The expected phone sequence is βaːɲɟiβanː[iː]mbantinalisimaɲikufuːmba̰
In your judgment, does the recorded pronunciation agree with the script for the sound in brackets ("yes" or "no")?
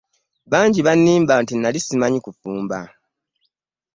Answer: yes